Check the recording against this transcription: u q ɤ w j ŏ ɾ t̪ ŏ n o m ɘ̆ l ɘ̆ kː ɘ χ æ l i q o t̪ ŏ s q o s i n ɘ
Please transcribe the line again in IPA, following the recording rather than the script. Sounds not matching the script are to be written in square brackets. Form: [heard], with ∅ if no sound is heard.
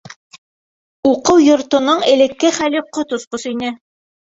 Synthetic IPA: u q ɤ w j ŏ ɾ t̪ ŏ n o [ɴ] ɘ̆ l ɘ̆ kː ɘ χ æ l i q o t̪ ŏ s q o s i n ɘ